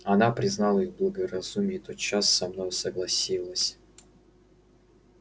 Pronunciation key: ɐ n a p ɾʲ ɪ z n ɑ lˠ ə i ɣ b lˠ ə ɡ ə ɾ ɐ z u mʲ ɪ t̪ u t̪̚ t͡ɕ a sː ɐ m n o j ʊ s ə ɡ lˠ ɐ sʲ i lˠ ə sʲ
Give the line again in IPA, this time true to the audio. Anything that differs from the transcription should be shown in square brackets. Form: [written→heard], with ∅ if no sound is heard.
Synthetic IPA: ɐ n a p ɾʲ ɪ z n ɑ lˠ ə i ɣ b lˠ ə ɡ ə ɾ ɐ z u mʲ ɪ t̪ [u→o] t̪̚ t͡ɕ a sː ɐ m n o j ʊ s ə ɡ lˠ ɐ sʲ i lˠ ə sʲ